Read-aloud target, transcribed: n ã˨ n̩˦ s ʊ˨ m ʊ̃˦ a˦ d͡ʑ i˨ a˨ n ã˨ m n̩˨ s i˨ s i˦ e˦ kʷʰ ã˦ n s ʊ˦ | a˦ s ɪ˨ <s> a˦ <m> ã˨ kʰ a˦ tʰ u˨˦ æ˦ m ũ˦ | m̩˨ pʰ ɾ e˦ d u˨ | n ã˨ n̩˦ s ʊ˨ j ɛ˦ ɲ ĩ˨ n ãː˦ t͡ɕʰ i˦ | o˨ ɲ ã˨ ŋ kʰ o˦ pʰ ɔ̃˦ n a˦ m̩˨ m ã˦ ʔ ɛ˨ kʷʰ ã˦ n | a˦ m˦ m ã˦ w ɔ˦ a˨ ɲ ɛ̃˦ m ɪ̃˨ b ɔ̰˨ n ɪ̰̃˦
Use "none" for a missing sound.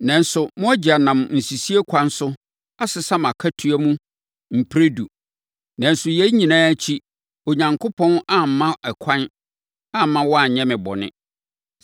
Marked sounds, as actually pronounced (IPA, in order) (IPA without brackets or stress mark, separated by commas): s, m